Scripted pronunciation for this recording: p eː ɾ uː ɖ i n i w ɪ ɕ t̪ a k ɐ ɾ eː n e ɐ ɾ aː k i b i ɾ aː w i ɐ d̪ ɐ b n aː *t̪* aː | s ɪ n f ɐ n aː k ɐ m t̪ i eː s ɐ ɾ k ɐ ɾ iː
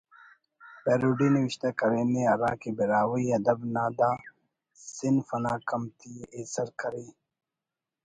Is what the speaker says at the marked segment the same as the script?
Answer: no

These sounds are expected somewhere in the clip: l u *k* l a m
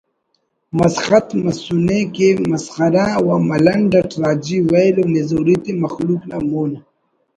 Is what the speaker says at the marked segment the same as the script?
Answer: yes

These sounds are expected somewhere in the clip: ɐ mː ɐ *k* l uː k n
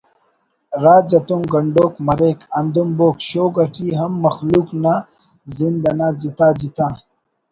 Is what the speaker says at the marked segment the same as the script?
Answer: no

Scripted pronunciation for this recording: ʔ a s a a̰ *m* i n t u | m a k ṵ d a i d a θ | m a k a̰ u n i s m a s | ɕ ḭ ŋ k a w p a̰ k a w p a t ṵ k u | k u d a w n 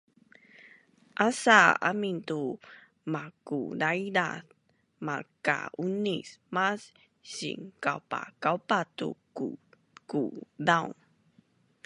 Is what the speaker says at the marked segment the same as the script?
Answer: yes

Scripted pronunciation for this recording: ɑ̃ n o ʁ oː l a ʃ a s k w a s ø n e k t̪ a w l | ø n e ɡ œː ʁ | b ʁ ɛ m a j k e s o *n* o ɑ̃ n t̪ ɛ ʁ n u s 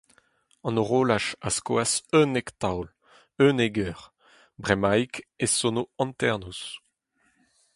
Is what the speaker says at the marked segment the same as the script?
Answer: yes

